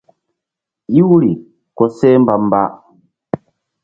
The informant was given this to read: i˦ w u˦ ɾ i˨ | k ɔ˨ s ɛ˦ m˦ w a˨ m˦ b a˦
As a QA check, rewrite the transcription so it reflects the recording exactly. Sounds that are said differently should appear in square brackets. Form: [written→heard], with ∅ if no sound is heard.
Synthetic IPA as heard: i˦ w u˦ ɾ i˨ | k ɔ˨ s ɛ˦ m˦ [w→b] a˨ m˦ b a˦